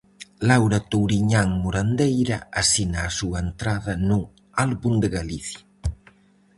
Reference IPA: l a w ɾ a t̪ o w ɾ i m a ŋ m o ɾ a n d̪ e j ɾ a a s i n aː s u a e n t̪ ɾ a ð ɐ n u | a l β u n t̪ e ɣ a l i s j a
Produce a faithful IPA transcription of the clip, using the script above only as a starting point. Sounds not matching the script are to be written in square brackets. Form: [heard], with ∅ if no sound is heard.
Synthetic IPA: l a w ɾ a t̪ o w ɾ i [ɲ] a ŋ m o ɾ a n d̪ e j ɾ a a s i n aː s u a e n t̪ ɾ a ð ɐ n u | a l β u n [d̪] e ɣ a l i [θ] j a